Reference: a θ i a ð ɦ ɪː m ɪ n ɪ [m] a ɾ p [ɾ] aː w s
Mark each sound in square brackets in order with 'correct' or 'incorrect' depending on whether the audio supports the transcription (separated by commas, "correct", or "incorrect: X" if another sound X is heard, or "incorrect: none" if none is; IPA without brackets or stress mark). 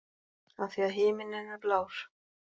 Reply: incorrect: n, incorrect: l